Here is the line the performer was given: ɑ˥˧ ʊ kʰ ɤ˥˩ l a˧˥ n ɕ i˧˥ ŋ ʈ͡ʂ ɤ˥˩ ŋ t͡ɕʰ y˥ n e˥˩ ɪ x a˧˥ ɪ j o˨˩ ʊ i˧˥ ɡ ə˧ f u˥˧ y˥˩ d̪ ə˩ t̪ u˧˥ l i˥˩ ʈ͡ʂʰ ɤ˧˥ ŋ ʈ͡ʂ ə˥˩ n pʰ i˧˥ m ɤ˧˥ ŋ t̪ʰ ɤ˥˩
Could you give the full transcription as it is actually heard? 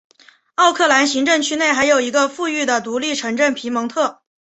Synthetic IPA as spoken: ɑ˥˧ ʊ kʰ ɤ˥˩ l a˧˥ n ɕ i˧˥ ŋ ʈ͡ʂ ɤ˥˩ ŋ t͡ɕʰ y˥ n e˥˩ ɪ x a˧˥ ɪ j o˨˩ ʊ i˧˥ ɡ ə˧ f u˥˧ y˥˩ d̪ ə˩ t̪ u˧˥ l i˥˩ ʈ͡ʂʰ ɤ˧˥ ŋ ʈ͡ʂ ə˥˩ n pʰ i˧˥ m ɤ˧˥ ŋ t̪ʰ ɤ˥˩

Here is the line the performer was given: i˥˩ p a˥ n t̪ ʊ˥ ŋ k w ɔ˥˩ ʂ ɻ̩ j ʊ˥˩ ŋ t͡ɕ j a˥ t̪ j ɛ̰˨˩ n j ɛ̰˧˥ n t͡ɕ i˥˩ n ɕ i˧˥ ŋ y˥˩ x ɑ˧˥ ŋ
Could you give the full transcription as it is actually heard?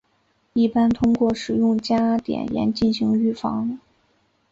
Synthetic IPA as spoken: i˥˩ p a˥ n t̪ʰ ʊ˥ ŋ k w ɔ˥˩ ʂ ɻ̩ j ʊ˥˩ ŋ t͡ɕ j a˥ t̪ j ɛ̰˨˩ n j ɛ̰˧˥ n t͡ɕ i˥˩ n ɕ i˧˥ ŋ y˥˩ f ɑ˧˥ ŋ

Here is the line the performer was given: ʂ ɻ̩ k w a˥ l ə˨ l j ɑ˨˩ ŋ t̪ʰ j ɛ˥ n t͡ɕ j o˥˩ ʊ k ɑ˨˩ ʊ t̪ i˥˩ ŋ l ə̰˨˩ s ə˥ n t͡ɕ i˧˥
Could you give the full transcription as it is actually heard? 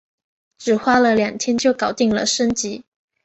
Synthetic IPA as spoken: ʈ͡ʂ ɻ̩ x w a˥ l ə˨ l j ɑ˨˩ ŋ t̪ʰ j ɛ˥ n t͡ɕ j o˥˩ ʊ k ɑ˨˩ ʊ t̪ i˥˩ ŋ l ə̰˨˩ ʂ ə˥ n t͡ɕ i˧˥

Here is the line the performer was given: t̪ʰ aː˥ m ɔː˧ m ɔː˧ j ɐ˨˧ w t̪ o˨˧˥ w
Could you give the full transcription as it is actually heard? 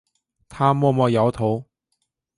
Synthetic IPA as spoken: t̪ʰ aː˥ m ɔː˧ m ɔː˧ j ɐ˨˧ w t̪ʰ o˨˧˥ w

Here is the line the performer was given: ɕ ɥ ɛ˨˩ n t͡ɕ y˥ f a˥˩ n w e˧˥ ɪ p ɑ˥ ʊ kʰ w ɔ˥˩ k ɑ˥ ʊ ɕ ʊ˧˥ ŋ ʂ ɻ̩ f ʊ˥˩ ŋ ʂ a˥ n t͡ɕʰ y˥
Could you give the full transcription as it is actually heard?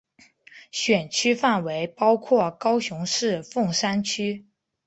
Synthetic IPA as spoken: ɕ ɥ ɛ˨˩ n t͡ɕʰ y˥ f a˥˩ n w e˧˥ ɪ p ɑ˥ ʊ kʰ w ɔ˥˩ k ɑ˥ ʊ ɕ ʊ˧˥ ŋ ʂ ɻ̩ f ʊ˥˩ ŋ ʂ a˥ n t͡ɕʰ y˥

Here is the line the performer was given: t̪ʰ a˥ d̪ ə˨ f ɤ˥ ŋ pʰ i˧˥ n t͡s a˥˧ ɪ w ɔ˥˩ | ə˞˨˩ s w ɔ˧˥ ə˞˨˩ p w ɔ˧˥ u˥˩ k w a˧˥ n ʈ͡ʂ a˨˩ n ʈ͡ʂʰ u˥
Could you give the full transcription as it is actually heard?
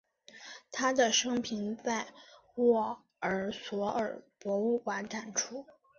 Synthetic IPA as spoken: t̪ʰ a˥ d̪ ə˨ ʂ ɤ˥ ŋ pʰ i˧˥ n t͡s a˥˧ ɪ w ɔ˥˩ | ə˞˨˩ s w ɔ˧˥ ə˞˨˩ p w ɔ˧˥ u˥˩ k w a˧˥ n ʈ͡ʂ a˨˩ n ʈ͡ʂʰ u˥

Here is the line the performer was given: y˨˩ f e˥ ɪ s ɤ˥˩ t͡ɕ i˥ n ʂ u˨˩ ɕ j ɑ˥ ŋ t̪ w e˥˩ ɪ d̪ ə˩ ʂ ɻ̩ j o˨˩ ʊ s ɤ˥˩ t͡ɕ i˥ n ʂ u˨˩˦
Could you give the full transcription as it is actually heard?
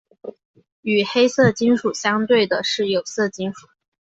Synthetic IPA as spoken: y˨˩ x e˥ ɪ s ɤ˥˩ t͡ɕ i˥ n ʂ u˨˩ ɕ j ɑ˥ ŋ t̪ w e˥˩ ɪ d̪ ə˩ ʂ ɻ̩ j o˨˩ ʊ s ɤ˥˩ t͡ɕ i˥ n ʂ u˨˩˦

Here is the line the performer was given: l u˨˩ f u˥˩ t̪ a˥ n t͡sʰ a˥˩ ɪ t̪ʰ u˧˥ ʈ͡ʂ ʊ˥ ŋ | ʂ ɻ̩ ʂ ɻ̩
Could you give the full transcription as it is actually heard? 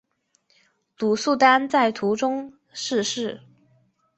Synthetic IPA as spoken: l u˨˩ s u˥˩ t̪ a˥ n t͡s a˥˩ ɪ t̪ʰ u˧˥ ʈ͡ʂ ʊ˥ ŋ | ʂ ɻ̩ ʂ ɻ̩

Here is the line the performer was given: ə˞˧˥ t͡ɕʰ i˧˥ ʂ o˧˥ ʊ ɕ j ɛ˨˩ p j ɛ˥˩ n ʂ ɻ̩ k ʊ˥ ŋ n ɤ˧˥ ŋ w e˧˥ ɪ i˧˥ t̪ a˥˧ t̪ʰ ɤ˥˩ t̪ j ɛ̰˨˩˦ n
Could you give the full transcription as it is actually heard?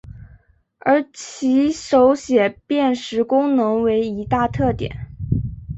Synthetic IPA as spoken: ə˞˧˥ t͡ɕʰ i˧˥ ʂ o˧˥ ʊ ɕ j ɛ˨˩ p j ɛ˥˩ n ʂ ɻ̩ k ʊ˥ ŋ n ɤ˧˥ ŋ w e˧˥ ɪ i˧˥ t̪ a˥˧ t̪ʰ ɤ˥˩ t̪ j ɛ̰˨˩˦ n

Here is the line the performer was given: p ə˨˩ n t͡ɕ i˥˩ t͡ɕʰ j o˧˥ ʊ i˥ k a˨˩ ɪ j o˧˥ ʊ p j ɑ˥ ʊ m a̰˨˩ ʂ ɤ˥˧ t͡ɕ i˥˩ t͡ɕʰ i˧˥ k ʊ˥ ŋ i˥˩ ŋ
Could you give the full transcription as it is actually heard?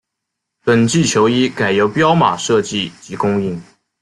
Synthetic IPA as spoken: p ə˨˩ n t͡ɕ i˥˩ t͡ɕʰ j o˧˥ ʊ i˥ k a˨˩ ɪ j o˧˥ ʊ p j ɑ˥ ʊ m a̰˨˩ ʂ ɤ˥˧ t͡ɕ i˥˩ t͡ɕ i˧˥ k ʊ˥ ŋ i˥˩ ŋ

